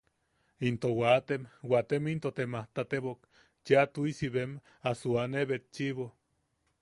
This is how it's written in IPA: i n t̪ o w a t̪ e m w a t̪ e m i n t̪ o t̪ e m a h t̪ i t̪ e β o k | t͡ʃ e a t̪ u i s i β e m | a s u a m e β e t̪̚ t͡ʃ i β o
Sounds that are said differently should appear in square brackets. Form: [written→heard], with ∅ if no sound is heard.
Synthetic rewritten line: i n t̪ o w a t̪ e m w a t̪ e m i n t̪ o t̪ e m a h t̪ [i→a] t̪ e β o k | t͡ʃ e a t̪ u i s i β e m | a s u a [m→n] e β e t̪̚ t͡ʃ i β o

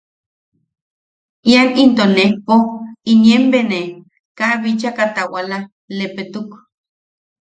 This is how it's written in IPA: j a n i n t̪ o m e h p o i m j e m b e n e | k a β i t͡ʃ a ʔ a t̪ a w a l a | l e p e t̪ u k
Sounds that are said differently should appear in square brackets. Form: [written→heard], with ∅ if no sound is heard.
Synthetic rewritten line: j a n i n t̪ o [m→n] e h p o i [m→n] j e m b e n e | k a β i t͡ʃ a [ʔ→k] a t̪ a w a l a | l e p e t̪ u k

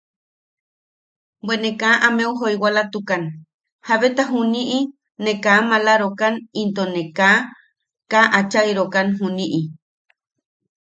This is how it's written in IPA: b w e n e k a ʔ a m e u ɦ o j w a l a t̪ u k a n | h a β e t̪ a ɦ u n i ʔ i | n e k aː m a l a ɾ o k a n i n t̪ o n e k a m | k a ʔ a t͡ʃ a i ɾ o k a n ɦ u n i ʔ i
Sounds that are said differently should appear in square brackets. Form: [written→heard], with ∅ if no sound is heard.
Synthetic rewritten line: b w e n e k a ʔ a m e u ɦ o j w a l a t̪ u k a n | h a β e t̪ a ɦ u n i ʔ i | n e k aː m a l a ɾ o k a n i n t̪ o n e k a [m→∅] | k a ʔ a t͡ʃ a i ɾ o k a n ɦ u n i ʔ i

